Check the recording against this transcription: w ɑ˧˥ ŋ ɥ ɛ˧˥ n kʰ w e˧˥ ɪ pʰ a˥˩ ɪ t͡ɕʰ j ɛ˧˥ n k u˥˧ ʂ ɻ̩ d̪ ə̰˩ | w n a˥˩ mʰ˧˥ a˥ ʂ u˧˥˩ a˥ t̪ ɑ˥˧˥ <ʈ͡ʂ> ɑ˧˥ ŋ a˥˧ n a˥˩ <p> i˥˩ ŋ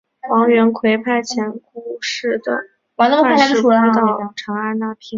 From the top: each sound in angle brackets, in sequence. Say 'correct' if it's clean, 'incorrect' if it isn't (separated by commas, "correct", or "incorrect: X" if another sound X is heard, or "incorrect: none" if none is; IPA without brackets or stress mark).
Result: incorrect: ʈ͡ʂʰ, incorrect: pʰ